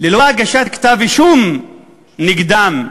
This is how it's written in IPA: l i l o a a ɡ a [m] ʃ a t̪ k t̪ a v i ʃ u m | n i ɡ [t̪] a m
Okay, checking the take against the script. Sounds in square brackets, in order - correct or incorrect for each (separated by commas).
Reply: incorrect, incorrect